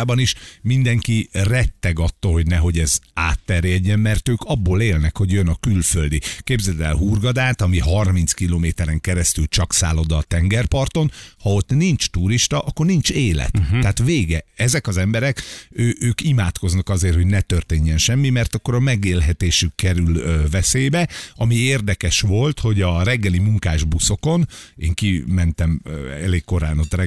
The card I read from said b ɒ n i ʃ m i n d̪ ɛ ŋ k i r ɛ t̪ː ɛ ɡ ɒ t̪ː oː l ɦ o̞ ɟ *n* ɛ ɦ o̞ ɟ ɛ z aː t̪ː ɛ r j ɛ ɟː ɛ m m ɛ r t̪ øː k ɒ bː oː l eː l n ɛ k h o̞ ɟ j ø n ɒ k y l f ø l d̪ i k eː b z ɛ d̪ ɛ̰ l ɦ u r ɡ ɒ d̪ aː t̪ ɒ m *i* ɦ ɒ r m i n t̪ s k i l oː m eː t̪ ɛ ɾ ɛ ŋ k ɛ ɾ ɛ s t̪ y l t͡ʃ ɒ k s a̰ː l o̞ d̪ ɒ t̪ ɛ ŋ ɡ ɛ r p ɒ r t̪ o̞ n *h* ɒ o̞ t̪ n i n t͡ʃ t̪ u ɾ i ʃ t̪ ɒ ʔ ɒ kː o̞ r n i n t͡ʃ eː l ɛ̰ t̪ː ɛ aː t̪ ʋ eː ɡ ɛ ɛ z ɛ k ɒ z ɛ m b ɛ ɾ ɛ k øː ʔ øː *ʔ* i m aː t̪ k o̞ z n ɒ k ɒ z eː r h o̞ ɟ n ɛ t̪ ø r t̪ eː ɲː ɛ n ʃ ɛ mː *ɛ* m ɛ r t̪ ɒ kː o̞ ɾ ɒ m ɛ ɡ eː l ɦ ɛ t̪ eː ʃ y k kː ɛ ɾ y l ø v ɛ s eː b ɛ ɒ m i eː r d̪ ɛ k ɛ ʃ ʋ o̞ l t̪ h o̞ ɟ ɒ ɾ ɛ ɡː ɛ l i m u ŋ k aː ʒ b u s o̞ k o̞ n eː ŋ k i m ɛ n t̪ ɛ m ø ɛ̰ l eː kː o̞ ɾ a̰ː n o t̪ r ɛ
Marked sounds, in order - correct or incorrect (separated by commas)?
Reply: correct, correct, correct, incorrect, incorrect